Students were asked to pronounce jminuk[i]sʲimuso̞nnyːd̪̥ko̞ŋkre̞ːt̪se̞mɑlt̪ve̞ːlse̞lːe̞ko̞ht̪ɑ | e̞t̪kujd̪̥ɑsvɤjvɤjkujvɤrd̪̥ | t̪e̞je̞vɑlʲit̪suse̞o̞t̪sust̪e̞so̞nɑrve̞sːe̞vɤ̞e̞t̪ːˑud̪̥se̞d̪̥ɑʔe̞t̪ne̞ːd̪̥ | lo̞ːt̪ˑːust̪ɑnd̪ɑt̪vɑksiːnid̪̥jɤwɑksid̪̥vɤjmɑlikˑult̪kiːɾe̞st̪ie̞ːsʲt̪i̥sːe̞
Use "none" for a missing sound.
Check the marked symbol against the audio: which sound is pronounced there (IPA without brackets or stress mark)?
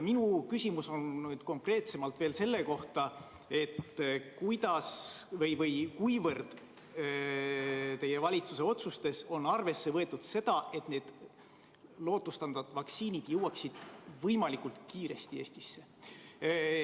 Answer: y